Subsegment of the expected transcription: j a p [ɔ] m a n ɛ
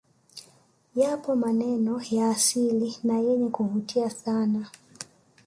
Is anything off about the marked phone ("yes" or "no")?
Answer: no